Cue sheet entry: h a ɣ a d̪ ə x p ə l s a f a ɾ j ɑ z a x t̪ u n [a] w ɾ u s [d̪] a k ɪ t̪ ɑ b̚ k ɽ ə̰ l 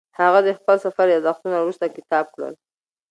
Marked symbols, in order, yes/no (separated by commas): yes, no